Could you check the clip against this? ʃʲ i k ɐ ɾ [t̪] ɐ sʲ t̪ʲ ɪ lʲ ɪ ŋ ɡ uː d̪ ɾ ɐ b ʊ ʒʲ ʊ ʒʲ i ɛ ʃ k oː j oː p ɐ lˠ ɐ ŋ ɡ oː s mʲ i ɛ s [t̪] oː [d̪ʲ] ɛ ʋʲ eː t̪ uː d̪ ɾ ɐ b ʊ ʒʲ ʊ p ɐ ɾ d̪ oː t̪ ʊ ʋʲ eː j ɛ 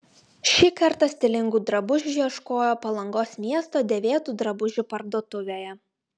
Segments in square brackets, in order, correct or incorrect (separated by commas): correct, correct, correct